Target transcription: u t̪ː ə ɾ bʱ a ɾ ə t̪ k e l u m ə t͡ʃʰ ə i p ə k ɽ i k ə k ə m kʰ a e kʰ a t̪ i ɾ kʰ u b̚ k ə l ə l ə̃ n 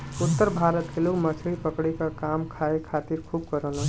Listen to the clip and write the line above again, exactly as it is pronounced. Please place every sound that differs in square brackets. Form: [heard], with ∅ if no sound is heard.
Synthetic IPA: u t̪ː ə ɾ bʱ a ɾ ə t̪ k e l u m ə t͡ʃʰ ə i p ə k ɽ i k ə k [a] m kʰ a e kʰ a t̪ i ɾ kʰ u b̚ k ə [ɾ] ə l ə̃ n